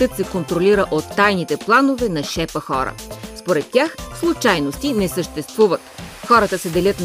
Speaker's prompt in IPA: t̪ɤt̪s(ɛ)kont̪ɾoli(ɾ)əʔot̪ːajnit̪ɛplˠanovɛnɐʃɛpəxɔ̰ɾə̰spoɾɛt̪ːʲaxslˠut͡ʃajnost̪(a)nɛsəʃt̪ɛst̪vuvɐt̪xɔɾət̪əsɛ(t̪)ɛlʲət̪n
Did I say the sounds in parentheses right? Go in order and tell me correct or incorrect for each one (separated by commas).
correct, correct, incorrect, incorrect